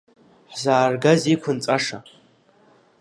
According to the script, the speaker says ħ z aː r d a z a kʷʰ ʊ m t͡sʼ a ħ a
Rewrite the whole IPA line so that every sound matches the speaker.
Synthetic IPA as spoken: ħ z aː r ɡ a z i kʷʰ ʊ n t͡sʼ a ʂ a